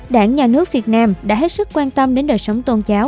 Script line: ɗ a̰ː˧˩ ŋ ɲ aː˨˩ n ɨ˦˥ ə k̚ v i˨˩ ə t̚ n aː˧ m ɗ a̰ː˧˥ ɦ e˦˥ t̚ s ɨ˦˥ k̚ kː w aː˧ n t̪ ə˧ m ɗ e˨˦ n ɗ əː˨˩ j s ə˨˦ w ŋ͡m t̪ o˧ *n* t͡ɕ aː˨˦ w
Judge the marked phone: correct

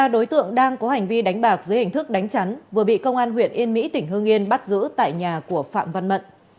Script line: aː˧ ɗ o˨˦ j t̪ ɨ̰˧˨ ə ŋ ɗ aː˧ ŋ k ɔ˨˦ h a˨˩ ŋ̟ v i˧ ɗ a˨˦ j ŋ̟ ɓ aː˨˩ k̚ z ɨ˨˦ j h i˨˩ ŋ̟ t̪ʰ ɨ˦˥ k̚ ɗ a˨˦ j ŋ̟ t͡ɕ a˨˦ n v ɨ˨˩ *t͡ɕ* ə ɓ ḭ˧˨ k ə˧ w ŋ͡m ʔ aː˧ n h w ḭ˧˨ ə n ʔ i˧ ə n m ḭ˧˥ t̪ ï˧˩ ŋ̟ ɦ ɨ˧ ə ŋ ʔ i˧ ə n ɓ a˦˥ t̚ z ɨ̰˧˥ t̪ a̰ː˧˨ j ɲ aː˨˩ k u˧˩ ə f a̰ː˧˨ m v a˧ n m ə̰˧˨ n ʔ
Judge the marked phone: incorrect: none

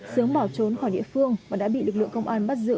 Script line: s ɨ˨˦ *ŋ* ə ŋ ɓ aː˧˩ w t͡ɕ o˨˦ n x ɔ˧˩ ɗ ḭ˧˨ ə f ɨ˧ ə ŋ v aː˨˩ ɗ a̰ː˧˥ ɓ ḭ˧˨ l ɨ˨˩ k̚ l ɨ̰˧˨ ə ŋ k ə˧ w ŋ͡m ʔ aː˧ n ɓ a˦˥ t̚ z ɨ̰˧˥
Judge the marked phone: incorrect: none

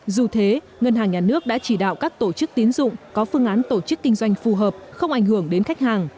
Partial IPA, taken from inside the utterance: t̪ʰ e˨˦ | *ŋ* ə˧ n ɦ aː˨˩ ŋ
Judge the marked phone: correct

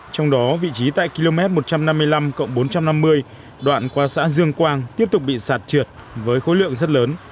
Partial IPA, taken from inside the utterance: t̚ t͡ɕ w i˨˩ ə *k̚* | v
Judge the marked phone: incorrect: t̚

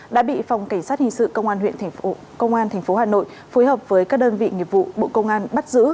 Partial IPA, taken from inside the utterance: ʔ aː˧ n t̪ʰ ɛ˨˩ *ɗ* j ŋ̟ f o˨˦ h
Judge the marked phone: incorrect: none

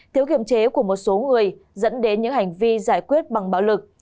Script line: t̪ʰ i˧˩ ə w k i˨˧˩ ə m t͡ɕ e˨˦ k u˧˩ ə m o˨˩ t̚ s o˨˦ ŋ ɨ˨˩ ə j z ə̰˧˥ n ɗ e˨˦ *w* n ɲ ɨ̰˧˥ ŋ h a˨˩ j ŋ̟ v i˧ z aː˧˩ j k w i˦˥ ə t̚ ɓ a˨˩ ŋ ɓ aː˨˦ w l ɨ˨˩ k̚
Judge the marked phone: incorrect: none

